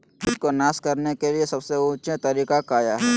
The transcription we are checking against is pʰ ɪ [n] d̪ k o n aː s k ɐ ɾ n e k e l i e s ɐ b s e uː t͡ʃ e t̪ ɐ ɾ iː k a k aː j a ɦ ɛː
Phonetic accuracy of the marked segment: incorrect: none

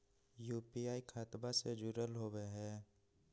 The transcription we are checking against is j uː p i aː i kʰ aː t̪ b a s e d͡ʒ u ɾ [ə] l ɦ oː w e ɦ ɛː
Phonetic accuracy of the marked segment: correct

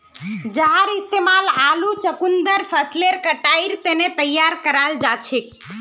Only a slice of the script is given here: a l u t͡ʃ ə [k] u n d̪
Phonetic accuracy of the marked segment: correct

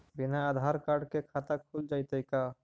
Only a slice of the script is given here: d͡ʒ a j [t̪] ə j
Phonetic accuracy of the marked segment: correct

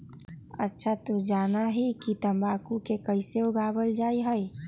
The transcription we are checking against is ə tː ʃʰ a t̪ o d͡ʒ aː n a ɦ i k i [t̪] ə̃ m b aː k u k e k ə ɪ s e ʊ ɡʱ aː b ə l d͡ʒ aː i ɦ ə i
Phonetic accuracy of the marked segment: correct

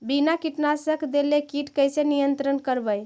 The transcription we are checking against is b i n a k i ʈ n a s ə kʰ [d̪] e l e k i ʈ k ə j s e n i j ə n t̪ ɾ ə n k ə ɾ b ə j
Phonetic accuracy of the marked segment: correct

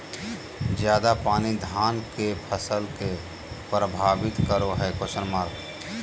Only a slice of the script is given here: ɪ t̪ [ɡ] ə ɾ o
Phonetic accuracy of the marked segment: incorrect: k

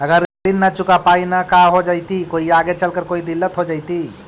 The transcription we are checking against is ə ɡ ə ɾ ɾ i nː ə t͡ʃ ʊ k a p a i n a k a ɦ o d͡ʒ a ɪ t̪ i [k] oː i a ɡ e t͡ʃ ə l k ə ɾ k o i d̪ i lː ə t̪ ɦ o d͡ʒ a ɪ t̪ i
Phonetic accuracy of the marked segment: correct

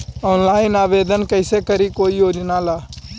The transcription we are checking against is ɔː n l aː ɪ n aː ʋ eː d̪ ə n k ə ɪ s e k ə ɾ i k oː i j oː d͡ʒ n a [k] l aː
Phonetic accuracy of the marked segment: incorrect: none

